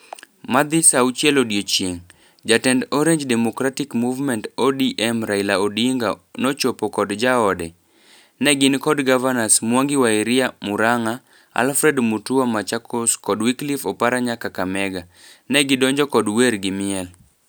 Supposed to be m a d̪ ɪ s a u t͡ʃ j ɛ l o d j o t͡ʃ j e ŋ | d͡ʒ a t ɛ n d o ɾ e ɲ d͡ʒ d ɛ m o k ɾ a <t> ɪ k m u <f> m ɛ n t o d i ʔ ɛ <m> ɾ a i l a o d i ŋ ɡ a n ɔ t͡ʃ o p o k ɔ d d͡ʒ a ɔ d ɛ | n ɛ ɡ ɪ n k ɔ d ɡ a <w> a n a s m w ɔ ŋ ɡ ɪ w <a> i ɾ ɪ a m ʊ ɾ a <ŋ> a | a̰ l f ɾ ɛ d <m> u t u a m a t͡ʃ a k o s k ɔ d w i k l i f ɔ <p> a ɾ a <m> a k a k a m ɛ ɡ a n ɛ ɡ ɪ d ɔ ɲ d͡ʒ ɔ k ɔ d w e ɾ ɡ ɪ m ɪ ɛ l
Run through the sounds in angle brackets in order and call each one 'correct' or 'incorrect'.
correct, incorrect: v, correct, incorrect: v, correct, correct, correct, correct, incorrect: ɲ

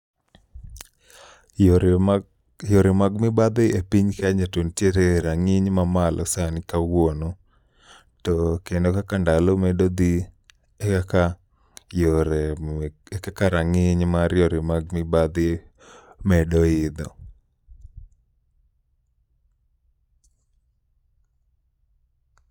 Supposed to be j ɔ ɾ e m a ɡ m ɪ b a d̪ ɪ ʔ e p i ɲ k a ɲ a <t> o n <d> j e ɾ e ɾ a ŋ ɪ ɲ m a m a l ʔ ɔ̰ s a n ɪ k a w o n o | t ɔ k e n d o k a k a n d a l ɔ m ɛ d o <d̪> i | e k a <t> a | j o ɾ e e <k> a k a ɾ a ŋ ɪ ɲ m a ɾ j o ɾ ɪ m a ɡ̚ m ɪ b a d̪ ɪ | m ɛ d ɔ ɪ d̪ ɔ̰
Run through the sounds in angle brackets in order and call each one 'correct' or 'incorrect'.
correct, incorrect: t, correct, incorrect: k, correct

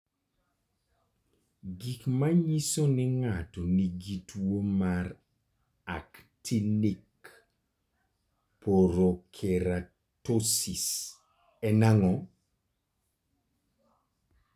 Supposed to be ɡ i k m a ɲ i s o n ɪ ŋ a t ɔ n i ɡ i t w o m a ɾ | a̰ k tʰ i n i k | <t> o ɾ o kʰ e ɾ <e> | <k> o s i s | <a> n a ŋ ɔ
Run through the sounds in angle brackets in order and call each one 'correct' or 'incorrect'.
incorrect: p, incorrect: a, incorrect: t, incorrect: ɛ

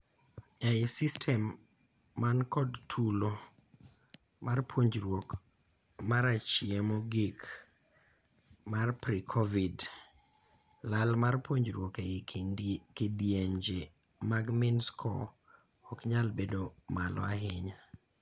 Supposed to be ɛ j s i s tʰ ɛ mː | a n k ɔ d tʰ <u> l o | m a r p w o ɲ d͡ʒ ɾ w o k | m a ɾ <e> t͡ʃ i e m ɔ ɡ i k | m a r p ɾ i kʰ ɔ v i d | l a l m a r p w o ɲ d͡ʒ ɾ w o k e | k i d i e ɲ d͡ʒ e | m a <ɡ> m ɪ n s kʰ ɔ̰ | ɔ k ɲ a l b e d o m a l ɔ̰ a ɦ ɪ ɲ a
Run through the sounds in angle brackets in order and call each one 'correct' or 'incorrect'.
correct, incorrect: a, correct

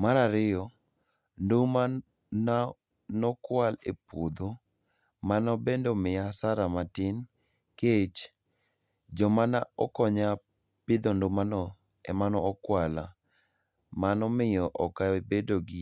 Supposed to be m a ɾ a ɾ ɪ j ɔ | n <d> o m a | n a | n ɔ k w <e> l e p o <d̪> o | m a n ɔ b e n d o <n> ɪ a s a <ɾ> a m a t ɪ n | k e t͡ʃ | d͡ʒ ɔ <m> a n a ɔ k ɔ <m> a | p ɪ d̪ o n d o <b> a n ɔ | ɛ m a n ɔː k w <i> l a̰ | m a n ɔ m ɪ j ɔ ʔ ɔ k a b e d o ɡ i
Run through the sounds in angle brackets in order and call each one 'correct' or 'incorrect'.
correct, incorrect: a, correct, incorrect: m, correct, correct, incorrect: ɲ, incorrect: m, incorrect: a

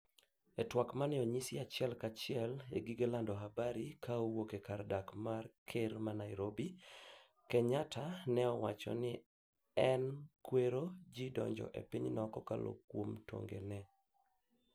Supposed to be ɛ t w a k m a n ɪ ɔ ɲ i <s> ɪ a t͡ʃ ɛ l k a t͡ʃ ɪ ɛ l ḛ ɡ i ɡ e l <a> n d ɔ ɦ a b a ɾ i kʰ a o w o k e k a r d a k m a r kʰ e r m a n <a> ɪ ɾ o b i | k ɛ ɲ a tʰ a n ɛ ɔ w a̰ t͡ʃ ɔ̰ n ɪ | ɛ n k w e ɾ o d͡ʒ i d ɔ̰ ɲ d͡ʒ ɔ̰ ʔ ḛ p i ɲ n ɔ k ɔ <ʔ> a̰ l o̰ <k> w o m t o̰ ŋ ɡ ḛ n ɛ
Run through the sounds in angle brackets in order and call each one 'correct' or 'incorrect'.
correct, correct, correct, incorrect: k, correct

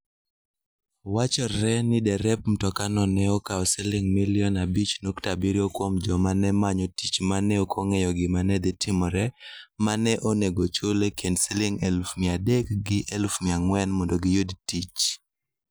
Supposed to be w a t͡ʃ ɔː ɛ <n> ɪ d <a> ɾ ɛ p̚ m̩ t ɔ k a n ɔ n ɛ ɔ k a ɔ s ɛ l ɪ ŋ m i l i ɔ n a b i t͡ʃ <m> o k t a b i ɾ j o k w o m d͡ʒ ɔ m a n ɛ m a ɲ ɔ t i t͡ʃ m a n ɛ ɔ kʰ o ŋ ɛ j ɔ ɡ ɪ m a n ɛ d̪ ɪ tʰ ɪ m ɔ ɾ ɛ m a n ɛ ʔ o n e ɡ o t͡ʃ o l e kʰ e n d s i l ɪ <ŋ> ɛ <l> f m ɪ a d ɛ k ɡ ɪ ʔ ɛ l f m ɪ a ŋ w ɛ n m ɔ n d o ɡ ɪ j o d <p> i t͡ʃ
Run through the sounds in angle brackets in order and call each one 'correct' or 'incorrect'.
correct, incorrect: ɛ, incorrect: n, correct, correct, incorrect: t

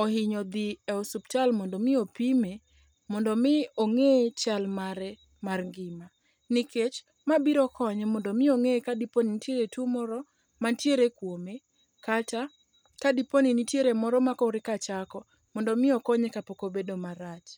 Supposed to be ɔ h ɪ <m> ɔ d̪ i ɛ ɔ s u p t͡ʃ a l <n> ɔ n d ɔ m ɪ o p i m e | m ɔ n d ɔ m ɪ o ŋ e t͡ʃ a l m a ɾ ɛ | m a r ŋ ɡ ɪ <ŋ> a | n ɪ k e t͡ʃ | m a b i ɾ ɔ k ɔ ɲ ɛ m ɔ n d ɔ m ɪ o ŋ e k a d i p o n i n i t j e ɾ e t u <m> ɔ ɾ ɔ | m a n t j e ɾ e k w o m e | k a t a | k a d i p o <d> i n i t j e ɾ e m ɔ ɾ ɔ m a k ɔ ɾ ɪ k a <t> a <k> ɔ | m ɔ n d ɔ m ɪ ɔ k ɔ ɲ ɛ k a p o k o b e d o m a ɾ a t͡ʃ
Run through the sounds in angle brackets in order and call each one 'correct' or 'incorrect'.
incorrect: ɲ, incorrect: m, incorrect: m, correct, incorrect: n, incorrect: t͡ʃ, correct

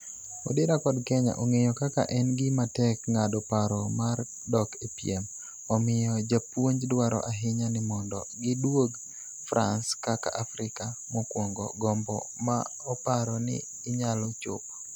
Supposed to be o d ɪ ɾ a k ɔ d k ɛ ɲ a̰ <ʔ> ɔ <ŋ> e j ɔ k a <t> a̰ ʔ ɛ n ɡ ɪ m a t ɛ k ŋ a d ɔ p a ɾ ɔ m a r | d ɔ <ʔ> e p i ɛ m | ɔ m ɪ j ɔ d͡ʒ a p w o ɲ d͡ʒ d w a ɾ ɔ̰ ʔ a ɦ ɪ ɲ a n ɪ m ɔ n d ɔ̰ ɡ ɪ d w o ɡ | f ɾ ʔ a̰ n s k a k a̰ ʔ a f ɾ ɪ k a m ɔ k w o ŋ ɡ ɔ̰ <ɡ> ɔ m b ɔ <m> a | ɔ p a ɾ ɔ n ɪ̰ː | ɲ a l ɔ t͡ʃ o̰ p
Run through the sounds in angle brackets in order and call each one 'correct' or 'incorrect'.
correct, correct, incorrect: k, incorrect: k, correct, correct

